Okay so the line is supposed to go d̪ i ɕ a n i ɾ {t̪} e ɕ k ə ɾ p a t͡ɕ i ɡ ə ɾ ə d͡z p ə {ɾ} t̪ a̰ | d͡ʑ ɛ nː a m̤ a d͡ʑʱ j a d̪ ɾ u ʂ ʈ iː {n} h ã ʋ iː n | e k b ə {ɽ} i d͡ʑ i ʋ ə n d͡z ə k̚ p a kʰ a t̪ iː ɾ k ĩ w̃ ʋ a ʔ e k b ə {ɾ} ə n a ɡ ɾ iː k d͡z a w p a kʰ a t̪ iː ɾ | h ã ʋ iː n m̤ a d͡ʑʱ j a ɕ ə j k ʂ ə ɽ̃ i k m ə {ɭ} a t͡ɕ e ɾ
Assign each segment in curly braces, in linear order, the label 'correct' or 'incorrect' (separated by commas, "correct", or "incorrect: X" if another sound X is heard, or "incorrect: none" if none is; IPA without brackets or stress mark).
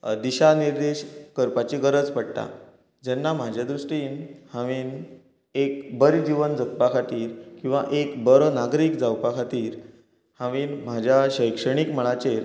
incorrect: d̪, incorrect: ɽ, correct, incorrect: ɾ, correct, correct